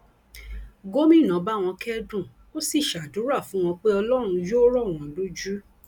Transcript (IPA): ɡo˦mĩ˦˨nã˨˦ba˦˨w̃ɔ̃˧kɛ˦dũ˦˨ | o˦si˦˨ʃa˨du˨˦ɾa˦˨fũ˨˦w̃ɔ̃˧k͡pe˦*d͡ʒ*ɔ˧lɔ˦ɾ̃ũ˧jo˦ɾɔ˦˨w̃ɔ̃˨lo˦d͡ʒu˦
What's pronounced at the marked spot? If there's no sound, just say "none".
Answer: none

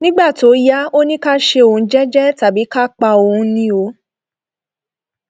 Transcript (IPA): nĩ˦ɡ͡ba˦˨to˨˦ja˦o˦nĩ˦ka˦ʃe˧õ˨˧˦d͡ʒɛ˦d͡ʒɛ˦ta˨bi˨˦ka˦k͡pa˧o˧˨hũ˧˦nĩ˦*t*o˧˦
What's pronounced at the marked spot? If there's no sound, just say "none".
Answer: none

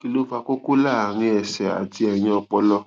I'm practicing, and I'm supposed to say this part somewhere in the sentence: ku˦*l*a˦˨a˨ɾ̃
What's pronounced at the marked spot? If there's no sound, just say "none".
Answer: l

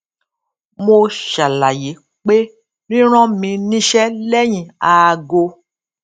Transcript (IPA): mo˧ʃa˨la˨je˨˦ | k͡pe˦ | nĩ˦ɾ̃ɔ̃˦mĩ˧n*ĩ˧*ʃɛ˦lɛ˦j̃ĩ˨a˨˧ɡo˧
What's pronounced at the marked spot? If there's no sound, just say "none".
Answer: ĩ˧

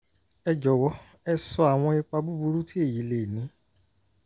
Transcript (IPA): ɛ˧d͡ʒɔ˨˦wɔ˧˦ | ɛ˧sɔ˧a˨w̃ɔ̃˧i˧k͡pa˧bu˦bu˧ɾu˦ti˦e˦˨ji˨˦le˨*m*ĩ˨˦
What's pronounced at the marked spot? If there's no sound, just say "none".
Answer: n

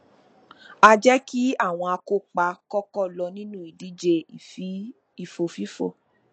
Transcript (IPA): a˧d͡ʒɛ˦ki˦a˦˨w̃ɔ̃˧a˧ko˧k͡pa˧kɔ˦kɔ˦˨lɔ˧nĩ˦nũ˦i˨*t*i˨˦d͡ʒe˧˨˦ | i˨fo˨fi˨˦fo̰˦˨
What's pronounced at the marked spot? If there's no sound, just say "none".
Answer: d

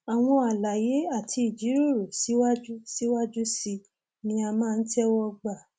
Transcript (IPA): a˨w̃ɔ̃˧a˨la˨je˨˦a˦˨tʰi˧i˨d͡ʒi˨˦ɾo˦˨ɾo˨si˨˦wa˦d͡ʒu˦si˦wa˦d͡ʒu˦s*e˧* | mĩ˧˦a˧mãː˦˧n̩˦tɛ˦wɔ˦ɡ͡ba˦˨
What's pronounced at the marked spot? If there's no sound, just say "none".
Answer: i˧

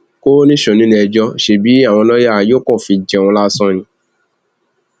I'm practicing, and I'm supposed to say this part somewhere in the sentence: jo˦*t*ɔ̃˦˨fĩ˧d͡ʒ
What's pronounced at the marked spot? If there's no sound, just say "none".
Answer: k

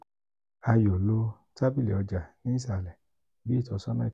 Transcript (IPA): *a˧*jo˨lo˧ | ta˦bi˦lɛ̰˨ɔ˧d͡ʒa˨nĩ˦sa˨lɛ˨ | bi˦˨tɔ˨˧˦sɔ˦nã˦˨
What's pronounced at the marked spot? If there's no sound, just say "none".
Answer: a˧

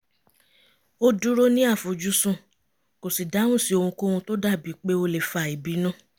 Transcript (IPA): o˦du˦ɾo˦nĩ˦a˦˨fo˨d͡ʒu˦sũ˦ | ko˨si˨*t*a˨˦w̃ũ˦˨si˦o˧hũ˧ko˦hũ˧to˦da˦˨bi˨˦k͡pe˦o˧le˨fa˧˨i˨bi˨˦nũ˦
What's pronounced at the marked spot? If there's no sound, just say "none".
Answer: d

